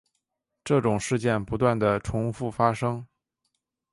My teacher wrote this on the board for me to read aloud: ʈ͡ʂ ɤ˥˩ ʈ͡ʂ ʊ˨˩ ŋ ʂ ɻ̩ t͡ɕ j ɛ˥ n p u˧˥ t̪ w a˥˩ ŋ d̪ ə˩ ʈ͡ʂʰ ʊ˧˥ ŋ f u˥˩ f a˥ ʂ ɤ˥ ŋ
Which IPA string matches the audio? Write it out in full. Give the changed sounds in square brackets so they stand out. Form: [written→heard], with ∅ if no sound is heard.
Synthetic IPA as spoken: ʈ͡ʂ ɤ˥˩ ʈ͡ʂ ʊ˨˩ ŋ ʂ ɻ̩ t͡ɕ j [ɛ˥→ɛ˥˩] n p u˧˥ t̪ w a˥˩ [ŋ→n] d̪ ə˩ ʈ͡ʂʰ ʊ˧˥ ŋ f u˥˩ f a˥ ʂ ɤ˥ ŋ